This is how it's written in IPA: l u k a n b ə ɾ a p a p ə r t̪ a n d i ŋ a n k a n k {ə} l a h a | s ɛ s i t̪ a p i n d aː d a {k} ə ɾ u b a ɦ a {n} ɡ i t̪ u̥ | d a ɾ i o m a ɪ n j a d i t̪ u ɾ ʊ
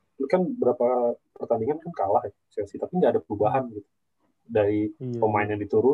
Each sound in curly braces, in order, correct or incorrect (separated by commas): incorrect, incorrect, correct